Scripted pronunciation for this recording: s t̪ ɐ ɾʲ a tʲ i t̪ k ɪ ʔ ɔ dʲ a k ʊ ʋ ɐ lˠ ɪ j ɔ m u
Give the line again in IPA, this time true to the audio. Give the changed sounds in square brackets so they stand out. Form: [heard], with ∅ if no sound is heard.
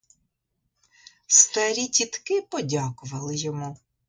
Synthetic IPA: s t̪ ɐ ɾʲ [i] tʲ i t̪ k ɪ [p] ɔ dʲ a k ʊ ʋ ɐ lˠ ɪ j ɔ m u